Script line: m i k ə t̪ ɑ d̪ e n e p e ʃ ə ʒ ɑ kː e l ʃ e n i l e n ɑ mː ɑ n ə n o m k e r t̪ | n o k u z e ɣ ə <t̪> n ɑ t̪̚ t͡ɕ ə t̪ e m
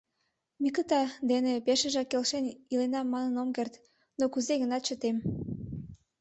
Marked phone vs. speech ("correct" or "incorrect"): incorrect